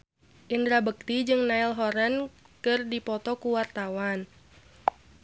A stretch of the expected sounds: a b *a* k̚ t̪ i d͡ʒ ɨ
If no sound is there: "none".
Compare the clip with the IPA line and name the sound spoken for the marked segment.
ə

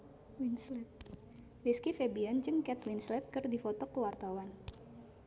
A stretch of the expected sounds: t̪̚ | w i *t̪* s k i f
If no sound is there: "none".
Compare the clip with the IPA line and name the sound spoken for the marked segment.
none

